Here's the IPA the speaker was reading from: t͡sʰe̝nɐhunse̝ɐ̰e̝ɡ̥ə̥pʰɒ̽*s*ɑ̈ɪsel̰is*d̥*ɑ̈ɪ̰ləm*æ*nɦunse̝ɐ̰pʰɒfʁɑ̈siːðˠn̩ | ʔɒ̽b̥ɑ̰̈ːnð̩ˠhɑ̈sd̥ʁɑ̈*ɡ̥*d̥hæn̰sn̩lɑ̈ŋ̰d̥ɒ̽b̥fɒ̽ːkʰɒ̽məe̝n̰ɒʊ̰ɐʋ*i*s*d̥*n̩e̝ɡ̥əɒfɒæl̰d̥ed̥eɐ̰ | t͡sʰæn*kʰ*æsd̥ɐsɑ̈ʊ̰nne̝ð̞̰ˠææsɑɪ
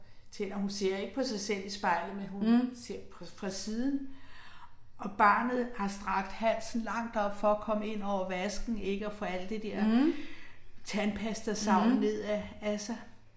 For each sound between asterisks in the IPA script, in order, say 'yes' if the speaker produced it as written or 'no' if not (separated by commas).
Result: yes, no, no, yes, no, no, no